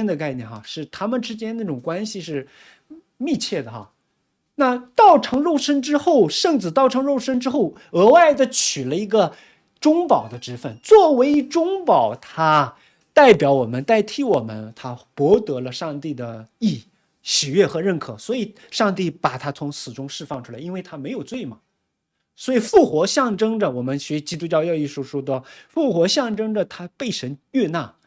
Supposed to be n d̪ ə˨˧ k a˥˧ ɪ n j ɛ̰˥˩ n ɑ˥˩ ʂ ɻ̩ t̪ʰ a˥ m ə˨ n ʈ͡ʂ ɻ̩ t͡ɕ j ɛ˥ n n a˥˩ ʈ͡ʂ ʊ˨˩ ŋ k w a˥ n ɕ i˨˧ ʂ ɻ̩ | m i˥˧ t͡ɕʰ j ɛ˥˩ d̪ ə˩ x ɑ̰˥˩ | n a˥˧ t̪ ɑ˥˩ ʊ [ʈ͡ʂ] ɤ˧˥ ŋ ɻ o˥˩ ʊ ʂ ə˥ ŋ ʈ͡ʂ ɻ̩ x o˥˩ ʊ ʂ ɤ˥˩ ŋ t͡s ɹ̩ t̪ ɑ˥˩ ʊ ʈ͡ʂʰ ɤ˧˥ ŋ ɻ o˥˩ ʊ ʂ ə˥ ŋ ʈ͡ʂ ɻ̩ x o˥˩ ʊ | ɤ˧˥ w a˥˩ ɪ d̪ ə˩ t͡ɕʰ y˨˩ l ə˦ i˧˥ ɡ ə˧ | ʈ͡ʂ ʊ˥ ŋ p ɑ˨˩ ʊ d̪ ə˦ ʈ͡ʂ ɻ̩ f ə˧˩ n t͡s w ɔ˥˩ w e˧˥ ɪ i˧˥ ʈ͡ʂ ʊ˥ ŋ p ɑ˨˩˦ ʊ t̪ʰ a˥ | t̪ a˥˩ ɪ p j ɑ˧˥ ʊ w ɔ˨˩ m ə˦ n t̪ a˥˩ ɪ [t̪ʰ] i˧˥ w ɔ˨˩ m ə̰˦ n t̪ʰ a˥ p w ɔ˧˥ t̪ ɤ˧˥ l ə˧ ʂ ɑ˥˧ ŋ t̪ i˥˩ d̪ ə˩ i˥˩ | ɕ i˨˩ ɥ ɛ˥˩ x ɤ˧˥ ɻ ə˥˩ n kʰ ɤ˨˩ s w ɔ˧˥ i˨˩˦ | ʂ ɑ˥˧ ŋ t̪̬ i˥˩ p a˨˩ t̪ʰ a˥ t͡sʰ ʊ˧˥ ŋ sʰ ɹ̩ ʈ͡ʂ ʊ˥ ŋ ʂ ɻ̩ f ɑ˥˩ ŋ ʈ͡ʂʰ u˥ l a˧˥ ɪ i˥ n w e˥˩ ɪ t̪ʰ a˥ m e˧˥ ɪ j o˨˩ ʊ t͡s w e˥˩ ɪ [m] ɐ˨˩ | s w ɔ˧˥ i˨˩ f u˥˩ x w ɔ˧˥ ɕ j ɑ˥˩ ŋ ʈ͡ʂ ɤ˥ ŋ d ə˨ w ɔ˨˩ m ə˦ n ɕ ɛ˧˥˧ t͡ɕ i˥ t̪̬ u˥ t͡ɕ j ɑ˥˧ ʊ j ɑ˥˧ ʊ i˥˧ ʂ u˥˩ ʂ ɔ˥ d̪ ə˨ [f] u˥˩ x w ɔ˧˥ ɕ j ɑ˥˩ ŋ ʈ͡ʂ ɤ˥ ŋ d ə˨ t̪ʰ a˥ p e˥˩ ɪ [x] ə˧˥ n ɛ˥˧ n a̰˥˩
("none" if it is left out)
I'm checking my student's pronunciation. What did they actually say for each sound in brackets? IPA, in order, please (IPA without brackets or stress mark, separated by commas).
ʈ͡ʂʰ, t̪ʰ, m, f, ʂ